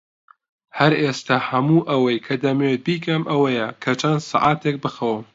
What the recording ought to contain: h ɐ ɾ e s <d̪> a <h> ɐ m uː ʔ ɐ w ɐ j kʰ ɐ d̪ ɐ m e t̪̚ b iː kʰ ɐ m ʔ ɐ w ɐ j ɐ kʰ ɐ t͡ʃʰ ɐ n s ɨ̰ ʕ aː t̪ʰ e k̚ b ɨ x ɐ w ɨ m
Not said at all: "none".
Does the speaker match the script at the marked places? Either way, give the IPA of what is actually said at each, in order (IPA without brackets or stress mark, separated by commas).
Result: t̪, h